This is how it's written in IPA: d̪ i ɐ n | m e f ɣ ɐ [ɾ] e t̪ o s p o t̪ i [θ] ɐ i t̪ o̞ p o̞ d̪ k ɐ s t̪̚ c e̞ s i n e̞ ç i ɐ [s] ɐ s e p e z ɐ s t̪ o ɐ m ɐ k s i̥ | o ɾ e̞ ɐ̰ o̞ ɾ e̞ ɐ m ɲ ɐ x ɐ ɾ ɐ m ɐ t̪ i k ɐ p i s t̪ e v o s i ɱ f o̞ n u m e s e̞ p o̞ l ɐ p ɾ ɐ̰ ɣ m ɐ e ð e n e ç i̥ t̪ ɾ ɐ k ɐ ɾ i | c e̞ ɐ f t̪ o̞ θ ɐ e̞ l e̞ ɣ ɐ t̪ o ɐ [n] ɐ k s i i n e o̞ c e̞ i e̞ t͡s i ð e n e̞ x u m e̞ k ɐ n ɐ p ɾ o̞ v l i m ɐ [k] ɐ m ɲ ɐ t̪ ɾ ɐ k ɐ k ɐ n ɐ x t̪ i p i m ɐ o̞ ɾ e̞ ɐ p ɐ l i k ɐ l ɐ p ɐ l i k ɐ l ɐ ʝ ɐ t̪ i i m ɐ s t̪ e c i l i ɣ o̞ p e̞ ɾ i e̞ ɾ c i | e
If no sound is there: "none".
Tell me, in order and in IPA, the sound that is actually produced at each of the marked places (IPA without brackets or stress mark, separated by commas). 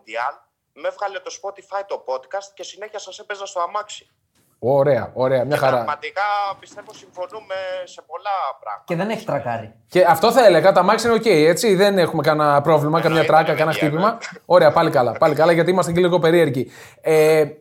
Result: l, f, s, m, k